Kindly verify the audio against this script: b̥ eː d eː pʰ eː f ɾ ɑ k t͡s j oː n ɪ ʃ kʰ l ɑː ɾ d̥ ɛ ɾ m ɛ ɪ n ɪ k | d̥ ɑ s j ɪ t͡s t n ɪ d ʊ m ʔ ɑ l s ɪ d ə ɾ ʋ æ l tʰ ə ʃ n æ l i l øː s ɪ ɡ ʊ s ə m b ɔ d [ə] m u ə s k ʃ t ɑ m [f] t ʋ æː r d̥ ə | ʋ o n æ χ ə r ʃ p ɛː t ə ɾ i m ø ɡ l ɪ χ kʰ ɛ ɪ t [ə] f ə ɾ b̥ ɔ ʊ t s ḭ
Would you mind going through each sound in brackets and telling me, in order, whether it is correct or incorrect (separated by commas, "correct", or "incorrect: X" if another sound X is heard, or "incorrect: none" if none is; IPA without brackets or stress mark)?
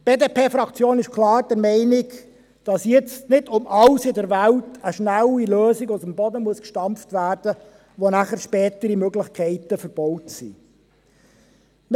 correct, correct, correct